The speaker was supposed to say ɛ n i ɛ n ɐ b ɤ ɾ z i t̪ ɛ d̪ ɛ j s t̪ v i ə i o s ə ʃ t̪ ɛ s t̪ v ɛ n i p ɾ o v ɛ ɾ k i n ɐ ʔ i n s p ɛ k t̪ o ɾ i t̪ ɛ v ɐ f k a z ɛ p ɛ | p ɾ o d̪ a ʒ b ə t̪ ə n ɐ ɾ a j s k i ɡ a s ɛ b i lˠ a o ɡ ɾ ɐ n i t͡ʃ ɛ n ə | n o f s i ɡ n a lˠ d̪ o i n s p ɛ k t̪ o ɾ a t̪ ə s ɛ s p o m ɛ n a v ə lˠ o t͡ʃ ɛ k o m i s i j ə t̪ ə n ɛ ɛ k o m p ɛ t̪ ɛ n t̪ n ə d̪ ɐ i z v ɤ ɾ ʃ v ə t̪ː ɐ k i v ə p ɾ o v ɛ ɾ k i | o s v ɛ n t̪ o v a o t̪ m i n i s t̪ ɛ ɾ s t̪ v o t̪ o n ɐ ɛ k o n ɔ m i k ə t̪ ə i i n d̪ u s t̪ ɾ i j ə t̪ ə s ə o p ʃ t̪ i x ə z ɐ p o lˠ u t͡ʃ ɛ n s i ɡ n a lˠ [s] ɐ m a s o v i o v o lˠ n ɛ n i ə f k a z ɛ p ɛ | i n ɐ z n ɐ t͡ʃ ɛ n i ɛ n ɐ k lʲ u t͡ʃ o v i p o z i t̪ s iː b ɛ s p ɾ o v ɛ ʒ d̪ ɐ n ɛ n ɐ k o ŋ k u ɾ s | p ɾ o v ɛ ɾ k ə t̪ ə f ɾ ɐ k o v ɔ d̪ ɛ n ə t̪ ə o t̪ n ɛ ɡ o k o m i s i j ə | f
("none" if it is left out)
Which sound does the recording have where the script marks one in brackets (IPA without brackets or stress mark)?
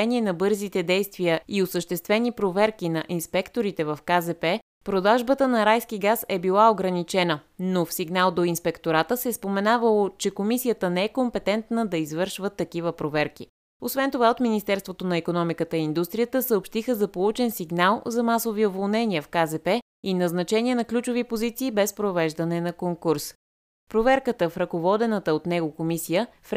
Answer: z